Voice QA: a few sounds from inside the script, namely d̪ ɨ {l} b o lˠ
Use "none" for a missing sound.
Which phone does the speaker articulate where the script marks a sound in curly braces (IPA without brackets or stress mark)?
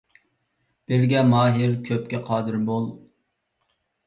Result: ɾ